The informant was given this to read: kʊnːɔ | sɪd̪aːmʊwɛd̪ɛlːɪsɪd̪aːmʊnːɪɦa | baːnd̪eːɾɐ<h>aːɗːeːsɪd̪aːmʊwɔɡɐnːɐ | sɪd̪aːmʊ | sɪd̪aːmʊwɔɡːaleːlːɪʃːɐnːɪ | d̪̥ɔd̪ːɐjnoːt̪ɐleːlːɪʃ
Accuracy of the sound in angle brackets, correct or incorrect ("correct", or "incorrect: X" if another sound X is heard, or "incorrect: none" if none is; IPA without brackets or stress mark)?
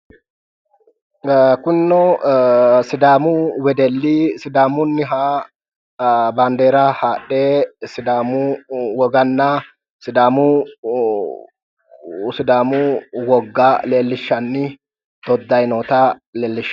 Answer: correct